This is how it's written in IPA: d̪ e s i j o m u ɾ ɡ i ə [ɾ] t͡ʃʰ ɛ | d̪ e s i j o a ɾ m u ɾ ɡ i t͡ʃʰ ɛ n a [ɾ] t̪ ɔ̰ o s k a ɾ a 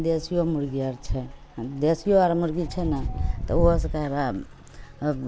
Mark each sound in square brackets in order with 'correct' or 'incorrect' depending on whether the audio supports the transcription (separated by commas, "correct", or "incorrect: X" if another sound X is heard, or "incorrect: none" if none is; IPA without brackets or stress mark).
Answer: correct, incorrect: none